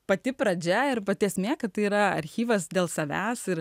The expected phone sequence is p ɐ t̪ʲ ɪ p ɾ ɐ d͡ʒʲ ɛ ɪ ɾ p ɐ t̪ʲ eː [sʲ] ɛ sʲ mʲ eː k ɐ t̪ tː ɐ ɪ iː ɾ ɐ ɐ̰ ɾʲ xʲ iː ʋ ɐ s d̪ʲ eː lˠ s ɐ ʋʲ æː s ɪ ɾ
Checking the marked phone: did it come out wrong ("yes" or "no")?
yes